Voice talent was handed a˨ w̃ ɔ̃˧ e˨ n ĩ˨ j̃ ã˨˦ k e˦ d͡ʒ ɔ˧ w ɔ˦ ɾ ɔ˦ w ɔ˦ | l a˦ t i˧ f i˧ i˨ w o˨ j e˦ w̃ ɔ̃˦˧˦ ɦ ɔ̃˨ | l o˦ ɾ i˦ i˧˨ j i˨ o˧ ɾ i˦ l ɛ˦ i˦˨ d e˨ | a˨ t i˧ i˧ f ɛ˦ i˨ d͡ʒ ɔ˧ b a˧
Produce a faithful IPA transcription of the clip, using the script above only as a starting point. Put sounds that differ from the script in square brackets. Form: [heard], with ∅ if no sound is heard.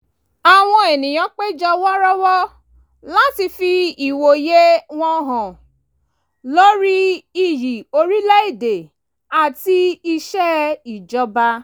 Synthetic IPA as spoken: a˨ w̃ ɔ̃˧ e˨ n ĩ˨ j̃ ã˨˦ [k͡p] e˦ d͡ʒ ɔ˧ w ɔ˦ ɾ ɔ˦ w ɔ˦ | l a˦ t i˧ f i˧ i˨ w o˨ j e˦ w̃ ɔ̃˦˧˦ ɦ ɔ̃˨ | l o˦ ɾ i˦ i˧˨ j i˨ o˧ ɾ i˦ l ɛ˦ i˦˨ d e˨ | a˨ t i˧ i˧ [ʃ] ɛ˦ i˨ d͡ʒ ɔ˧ b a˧